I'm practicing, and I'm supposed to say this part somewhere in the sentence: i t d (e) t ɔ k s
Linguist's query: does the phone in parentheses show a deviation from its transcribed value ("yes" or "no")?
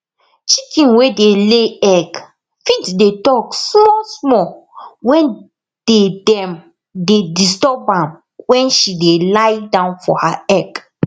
no